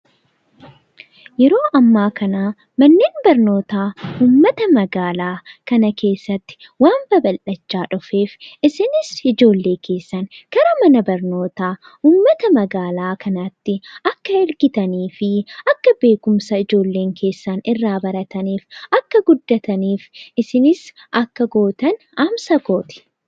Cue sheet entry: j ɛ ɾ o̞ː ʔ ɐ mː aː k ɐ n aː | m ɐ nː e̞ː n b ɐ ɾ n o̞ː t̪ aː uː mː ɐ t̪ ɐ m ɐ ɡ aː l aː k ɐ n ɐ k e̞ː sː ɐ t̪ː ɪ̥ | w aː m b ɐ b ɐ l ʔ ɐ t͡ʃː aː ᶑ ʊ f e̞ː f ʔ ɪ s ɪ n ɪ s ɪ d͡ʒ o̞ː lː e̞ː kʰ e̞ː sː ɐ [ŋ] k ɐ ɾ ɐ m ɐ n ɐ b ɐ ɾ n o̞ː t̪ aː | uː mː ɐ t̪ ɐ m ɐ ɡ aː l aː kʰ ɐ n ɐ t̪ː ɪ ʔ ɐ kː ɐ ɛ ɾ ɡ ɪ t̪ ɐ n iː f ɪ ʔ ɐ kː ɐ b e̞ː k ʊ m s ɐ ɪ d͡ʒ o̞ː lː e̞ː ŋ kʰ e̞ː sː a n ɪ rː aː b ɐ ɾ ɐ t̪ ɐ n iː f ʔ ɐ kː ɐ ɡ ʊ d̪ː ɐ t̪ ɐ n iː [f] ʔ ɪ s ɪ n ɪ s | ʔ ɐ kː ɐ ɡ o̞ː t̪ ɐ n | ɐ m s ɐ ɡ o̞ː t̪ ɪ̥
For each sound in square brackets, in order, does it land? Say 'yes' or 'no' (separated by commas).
no, yes